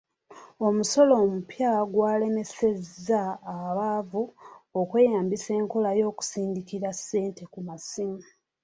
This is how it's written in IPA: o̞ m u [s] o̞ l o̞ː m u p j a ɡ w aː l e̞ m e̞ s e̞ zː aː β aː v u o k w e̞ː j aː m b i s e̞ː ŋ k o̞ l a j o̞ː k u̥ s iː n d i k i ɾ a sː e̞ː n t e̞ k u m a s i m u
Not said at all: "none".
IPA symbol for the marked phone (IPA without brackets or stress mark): s